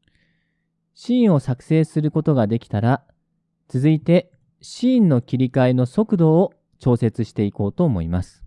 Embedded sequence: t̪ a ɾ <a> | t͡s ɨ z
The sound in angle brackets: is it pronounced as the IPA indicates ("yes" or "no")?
yes